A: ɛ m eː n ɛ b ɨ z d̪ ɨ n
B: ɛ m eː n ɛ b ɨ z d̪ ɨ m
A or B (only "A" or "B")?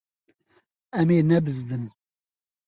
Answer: A